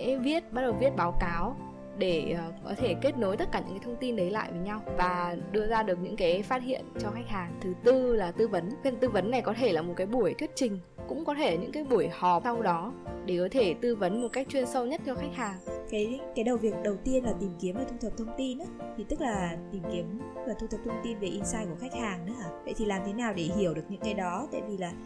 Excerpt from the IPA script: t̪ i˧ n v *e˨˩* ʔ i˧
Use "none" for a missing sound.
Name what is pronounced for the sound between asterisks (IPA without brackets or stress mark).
e˨˩